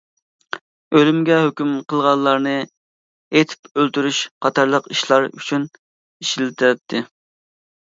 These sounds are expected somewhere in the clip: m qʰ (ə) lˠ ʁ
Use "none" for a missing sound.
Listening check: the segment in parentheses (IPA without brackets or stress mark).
ə